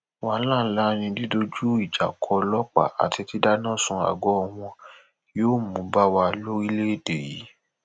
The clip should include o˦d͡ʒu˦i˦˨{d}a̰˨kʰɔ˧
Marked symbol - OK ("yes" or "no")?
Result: no